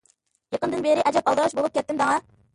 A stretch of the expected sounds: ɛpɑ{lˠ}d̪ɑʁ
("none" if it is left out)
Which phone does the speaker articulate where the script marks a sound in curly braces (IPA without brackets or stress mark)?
lˠ